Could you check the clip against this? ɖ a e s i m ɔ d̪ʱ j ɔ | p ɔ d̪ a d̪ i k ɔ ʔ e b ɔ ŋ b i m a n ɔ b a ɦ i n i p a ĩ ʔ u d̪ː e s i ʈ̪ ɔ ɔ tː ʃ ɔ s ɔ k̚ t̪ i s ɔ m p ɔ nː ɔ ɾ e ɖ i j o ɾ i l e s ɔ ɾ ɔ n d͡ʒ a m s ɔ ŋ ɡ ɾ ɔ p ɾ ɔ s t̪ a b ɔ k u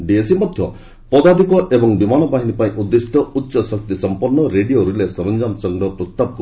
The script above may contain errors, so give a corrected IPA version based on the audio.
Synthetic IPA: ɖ i e s i m ɔ d̪ʱ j ɔ | p ɔ d̪ a d̪ i k ɔ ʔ e b ɔ ŋ b i m a n ɔ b a ɦ i n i p a ĩ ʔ u d̪ː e s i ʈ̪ ɔ u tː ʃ ɔ s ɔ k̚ t̪ i s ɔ m p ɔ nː ɔ ɾ e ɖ i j o ɾ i l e s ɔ ɾ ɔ n d͡ʒ a m s ɔ ŋ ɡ ɾ ɔ p ɾ ɔ s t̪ a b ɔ k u